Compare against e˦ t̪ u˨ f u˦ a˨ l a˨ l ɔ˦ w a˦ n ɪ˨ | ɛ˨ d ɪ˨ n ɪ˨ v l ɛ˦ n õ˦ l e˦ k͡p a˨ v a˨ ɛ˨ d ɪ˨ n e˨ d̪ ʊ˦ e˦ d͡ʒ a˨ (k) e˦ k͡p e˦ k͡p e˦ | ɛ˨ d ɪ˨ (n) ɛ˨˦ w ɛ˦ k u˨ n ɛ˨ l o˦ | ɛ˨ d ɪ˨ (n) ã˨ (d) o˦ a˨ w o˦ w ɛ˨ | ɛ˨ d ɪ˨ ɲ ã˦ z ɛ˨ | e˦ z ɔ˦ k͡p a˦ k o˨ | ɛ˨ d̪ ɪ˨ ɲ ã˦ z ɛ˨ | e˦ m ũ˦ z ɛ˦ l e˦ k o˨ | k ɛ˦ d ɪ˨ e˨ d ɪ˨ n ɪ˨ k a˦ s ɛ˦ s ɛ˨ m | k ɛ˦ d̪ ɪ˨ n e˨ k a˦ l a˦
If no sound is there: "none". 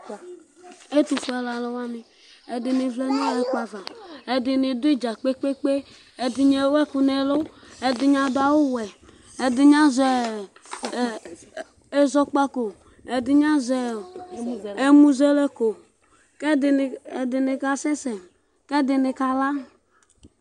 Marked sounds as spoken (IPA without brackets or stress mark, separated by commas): k͡p, ɲ, ɲ, d